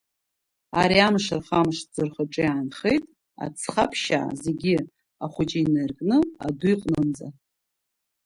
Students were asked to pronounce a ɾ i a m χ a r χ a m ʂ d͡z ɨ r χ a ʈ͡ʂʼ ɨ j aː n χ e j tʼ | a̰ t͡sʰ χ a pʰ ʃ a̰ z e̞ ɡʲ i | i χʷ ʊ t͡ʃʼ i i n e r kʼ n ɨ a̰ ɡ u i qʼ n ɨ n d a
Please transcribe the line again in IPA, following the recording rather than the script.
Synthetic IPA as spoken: a ɾ i a m ʂ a r χ a m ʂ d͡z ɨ r χ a ʈ͡ʂʼ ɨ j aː n χ e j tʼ | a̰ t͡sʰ χ a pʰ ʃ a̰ z e̞ ɡʲ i | a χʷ ʊ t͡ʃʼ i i n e r kʼ n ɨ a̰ d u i qʼ n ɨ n d͡z a

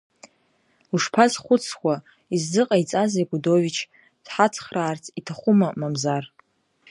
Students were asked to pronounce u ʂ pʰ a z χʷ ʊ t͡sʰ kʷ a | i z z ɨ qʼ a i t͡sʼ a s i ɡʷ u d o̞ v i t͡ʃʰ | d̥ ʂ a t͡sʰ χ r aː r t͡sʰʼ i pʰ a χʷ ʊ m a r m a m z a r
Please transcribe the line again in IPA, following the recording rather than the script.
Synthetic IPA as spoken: u ʂ pʰ a z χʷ ʊ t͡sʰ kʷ a | i z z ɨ qʼ a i t͡sʼ a z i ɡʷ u d o̞ v i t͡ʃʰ | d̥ ħ a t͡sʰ χ r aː r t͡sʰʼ i tʰ a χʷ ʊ m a m a m z a r

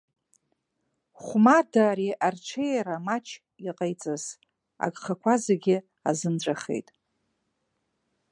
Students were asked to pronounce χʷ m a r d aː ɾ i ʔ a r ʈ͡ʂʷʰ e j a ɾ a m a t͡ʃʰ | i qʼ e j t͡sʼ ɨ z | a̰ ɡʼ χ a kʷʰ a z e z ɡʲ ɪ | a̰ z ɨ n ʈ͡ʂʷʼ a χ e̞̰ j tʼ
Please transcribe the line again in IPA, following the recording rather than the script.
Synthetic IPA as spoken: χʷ m a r d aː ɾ i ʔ a r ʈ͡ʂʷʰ e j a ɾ a m a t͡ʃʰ | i qʼ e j t͡sʼ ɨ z | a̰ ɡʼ χ a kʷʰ a z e ɡʲ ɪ | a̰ z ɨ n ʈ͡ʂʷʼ a χ e̞̰ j tʼ

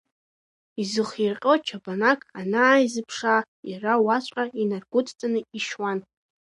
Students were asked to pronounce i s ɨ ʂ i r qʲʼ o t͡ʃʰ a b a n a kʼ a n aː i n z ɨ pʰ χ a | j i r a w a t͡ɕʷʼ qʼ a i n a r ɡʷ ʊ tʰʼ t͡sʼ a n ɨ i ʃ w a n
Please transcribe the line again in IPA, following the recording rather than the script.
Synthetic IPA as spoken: i z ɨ χ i r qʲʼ o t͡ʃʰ a b a n a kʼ a n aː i z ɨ pʰ ʂ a | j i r a w a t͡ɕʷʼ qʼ a i n a r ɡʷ ʊ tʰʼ t͡sʼ a n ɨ i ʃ w a n

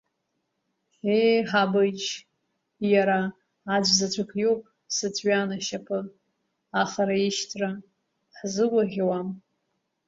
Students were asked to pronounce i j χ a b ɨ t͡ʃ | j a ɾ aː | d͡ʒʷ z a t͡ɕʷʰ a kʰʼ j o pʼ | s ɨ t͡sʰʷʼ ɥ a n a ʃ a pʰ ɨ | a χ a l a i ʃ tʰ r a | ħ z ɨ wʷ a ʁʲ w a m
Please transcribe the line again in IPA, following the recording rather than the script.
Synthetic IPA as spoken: e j ħ a b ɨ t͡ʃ | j a ɾ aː | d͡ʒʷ z a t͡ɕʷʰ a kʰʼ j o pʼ | s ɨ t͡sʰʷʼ ɥ a n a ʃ a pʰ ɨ | a χ a ɾ a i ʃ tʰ r a | ħ z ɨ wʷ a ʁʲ w a m

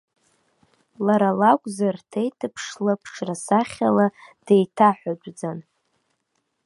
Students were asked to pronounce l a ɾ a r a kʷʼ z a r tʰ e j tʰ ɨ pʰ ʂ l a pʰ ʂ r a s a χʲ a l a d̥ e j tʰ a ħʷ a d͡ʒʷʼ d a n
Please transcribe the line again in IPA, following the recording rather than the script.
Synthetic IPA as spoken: l a ɾ a l a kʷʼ z a r tʰ e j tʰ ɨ pʰ ʂ l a pʰ ʂ r a s a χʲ a l a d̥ e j tʰ a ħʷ a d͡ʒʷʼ d͡z a n

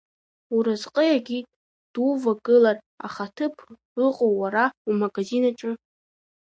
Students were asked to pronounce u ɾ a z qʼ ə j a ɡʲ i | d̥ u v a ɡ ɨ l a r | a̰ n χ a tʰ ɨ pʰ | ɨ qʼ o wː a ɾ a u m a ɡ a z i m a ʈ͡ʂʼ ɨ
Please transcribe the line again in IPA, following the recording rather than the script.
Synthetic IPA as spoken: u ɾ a z qʼ ə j a ɡʲ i | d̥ u v a ɡ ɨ l a r | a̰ χ a tʰ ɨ pʰ | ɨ qʼ o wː a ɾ a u m a ɡ a z i n a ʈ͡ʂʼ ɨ

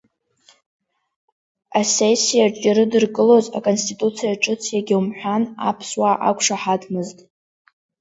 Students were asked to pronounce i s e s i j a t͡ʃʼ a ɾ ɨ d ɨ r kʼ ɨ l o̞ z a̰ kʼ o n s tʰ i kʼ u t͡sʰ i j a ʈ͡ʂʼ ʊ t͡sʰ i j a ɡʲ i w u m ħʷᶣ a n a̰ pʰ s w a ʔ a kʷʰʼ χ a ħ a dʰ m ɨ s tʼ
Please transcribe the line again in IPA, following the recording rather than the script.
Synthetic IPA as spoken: a s e s i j a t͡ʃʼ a ɾ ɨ d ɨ r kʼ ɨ l o̞ z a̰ kʼ o n s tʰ i tʼ u t͡sʰ i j a ʈ͡ʂʼ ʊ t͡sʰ i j a ɡʲ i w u m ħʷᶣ a n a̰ pʰ s w a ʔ a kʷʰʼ ʂ a ħ a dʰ m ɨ z tʼ

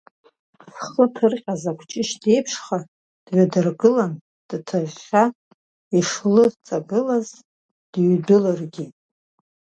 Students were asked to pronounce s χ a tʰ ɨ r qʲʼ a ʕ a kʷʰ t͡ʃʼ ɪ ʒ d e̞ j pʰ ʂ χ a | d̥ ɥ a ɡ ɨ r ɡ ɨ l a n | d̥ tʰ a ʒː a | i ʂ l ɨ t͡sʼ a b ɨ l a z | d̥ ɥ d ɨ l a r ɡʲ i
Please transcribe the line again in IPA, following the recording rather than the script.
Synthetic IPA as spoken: s χ ə tʰ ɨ r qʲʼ a z a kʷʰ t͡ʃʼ ɪ ʃ d e̞ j pʰ ʂ χ a | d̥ ɥ a d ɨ r ɡ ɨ l a n | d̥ tʰ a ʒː a | i ʂ l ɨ t͡sʼ a b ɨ l a z | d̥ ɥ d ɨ l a r ɡʲ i

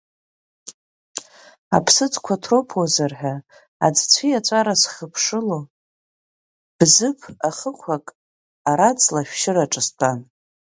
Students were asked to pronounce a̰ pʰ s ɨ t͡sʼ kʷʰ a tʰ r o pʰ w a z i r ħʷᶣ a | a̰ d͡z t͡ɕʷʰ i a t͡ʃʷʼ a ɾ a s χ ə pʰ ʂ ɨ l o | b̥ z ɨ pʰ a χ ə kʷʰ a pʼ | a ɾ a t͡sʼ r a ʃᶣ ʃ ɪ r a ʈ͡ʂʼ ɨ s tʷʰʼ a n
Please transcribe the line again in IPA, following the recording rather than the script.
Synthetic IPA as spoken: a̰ pʰ s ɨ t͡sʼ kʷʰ a tʰ r o pʰ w a z a r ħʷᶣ a | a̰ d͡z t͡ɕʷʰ i a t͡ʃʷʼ a ɾ a s χ ə pʰ ʂ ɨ l o | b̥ z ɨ pʰ a χ ə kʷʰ a kʼ | a ɾ a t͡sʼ l a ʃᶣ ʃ ɪ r a ʈ͡ʂʼ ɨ s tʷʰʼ a n

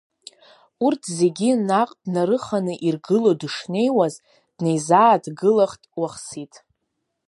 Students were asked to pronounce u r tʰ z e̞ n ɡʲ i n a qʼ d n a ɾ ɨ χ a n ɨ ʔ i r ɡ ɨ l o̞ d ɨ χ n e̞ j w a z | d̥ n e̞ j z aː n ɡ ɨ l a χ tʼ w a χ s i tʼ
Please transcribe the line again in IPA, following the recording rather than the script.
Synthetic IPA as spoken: u r tʰ z e̞ ɡʲ i n a qʼ d n a ɾ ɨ χ a n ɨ ʔ i r ɡ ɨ l o̞ d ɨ ʂ n e̞ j w a z | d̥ n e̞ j z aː d ɡ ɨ l a χ tʼ w a χ s i tʼ

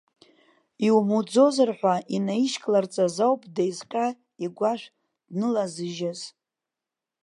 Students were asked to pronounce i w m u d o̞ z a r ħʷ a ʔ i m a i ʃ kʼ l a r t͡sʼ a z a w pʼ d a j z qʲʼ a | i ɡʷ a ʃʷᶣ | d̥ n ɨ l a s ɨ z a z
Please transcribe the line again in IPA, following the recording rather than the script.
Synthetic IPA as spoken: i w m u d͡z o̞ z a r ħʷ a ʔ i n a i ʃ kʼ l a r t͡sʼ a z a w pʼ d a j z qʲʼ a | i ɡʷ a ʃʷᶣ | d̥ n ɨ l a z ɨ ʒ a z

